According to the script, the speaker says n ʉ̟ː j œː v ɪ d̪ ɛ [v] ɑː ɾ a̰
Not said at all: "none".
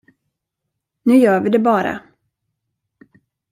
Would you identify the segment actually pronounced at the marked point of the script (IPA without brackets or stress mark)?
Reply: b